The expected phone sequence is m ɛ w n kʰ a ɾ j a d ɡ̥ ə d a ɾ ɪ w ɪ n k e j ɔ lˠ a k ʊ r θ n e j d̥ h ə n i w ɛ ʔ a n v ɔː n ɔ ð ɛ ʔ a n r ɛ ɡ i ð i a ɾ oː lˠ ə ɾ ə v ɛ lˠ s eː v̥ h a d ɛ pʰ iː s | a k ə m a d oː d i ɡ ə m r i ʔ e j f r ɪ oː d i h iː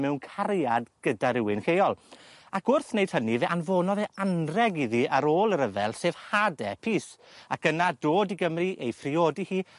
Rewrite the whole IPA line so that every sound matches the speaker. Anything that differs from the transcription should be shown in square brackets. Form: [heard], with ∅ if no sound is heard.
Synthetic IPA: m ɛ w n kʰ a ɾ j a d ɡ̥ ə d a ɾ ɪ w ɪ n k e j ɔ lˠ a k ʊ r θ n e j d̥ h ə n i [v] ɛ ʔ a n v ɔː n ɔ ð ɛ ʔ a n r ɛ ɡ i ð i a ɾ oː lˠ ə ɾ ə v ɛ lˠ s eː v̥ h a d ɛ pʰ iː s | a k ə [n] a d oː d i ɡ ə m r i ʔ e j f r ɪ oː d i h iː